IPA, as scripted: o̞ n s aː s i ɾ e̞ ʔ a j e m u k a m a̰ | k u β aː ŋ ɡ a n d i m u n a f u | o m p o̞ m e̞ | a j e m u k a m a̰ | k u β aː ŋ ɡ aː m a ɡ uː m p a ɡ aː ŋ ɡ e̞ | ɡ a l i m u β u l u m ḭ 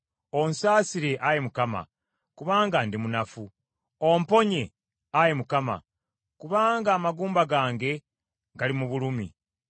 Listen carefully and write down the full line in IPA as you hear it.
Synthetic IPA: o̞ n s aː s i ɾ e̞ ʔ a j e m u k a m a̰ | k u β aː ŋ ɡ a n d i m u n a f u | o m p o̞ ɲ e̞ | a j e m u k a m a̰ | k u β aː ŋ ɡ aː m a ɡ uː m b a ɡ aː ŋ ɡ e̞ | ɡ a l i m u β u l u m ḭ